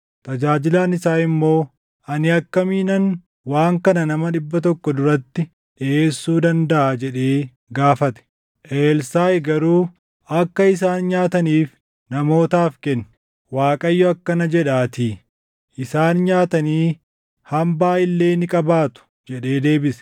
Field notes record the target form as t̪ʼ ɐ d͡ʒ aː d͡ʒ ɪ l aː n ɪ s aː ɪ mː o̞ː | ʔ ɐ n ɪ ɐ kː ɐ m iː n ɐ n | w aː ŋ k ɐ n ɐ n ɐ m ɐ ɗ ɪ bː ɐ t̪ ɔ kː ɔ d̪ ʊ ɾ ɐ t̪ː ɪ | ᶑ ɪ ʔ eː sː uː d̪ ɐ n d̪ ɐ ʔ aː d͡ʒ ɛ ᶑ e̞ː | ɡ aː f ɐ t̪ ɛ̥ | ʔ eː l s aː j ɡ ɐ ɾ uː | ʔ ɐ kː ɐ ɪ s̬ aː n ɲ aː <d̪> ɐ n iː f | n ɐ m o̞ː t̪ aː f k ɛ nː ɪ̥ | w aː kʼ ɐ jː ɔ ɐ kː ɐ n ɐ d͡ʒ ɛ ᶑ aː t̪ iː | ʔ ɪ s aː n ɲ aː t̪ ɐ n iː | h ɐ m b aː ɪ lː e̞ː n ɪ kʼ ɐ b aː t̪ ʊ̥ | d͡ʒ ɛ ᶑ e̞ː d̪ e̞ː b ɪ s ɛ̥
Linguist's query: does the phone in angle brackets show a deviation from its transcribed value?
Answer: yes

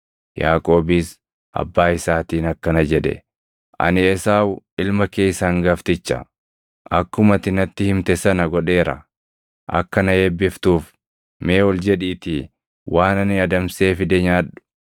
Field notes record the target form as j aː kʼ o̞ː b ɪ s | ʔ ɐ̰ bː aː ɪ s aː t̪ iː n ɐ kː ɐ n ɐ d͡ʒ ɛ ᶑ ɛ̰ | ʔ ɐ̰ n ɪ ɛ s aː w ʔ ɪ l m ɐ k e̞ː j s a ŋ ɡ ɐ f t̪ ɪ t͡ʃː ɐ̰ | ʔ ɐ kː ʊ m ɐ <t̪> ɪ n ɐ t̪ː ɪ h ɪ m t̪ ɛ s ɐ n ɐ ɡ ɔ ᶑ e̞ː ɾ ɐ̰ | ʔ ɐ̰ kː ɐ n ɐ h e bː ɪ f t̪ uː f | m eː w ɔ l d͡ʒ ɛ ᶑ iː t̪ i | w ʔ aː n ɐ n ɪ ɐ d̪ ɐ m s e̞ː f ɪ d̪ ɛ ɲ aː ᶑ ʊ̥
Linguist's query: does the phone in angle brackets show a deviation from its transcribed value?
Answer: no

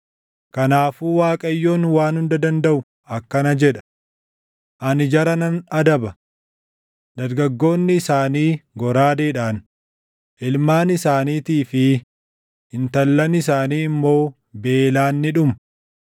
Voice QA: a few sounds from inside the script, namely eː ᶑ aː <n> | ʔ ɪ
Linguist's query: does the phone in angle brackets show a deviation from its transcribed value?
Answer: no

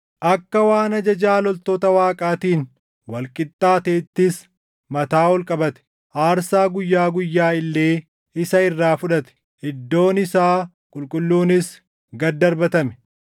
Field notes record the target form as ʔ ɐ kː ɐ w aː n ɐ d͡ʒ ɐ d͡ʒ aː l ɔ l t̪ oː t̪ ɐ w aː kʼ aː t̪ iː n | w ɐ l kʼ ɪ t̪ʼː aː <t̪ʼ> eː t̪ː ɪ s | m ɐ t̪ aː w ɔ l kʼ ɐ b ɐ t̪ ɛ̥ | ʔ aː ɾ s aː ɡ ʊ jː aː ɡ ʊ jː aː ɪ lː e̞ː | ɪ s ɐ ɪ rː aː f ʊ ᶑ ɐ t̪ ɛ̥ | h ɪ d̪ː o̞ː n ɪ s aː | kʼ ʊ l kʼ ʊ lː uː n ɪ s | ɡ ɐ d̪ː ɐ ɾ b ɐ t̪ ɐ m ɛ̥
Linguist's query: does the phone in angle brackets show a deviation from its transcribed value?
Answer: yes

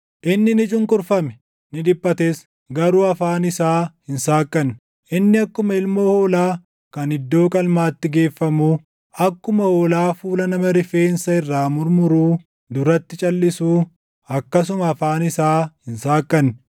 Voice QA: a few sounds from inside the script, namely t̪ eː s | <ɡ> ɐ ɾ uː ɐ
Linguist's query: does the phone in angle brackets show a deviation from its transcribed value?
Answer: no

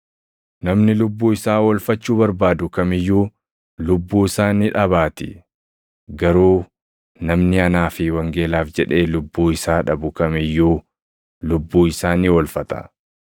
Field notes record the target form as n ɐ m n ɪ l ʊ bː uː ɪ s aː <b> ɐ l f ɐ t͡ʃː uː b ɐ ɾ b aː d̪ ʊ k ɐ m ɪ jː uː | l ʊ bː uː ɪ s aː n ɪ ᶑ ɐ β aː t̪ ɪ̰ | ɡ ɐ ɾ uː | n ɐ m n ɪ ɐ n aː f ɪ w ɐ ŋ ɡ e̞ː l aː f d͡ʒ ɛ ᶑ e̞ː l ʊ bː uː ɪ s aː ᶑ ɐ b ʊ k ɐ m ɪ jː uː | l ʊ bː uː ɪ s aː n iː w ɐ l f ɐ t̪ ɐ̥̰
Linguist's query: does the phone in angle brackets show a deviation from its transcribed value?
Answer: yes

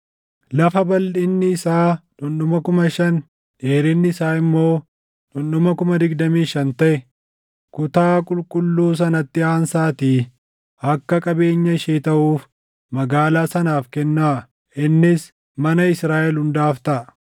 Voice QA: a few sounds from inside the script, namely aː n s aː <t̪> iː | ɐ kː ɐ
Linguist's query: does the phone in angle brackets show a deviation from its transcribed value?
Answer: no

